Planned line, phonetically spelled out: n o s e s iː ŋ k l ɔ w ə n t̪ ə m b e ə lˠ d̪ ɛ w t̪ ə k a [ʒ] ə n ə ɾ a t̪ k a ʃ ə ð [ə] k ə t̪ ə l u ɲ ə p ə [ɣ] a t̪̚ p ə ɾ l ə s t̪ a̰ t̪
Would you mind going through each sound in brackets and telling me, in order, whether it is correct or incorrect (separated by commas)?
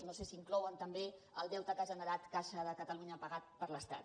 correct, correct, correct